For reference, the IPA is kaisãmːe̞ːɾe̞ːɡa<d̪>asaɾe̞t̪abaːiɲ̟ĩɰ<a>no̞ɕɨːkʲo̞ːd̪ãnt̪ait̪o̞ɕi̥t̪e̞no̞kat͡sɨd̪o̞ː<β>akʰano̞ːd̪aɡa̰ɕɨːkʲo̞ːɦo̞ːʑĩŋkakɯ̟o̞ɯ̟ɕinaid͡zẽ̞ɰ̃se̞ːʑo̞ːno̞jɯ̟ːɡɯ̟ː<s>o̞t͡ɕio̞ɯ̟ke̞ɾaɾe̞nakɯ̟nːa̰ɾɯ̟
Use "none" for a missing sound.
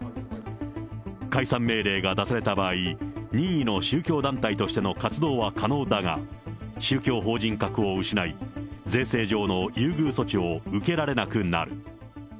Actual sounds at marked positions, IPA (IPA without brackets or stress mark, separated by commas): d̪, i, β, s